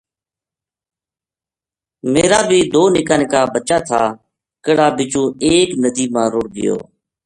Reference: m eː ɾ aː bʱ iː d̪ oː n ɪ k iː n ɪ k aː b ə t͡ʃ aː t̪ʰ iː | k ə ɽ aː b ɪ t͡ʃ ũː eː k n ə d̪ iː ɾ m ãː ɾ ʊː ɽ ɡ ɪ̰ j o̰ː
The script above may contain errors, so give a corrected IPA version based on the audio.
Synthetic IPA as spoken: m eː ɾ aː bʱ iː d̪ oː n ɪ k aː n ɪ k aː b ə t͡ʃ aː t̪ʰ aː | k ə ɽ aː b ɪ t͡ʃ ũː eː k n ə d̪ iː m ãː ɾ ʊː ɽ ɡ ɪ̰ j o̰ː